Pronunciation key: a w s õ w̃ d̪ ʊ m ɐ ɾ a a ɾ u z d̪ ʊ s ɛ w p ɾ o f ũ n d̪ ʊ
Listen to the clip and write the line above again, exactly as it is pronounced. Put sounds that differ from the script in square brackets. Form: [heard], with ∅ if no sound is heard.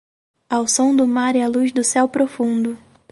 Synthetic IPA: a w s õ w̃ d̪ ʊ m [a] ɾ [ɛ] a [l] u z d̪ ʊ s ɛ w p ɾ o f ũ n d̪ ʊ